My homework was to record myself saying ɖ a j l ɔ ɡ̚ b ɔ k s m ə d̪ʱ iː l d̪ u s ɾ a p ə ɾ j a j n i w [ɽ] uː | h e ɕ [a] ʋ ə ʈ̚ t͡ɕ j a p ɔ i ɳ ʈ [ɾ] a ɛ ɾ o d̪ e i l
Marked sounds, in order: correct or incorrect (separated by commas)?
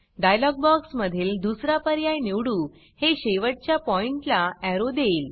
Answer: correct, incorrect, incorrect